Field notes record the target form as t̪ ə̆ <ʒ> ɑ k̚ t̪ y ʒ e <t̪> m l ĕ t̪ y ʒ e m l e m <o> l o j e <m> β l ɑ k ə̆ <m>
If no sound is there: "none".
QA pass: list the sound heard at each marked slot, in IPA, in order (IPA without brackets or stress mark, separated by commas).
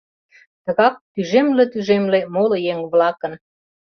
ɣ, none, o, ŋ, n